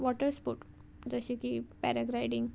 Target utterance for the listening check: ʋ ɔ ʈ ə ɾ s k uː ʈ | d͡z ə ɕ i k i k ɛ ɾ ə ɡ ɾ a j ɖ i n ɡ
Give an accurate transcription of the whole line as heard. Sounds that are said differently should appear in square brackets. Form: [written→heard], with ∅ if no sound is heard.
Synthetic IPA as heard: ʋ ɔ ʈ ə ɾ s [k→p] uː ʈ | d͡z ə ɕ i k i [k→p] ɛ ɾ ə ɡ ɾ a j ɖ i [n→ŋ] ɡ